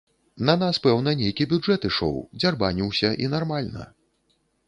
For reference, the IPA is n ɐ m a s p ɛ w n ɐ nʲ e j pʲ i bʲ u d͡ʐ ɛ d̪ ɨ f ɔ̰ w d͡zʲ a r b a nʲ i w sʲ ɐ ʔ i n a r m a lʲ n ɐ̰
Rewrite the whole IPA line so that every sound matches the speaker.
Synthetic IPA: n ɐ n a s p ɛ w n ɐ nʲ e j kʲ i bʲ u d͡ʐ ɛ t̪ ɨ ʂ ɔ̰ w d͡zʲ a r b a nʲ i w sʲ ɐ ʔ i n a r m a lʲ n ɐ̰